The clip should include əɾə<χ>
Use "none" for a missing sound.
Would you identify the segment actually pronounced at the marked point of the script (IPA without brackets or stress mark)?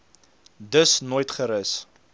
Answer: s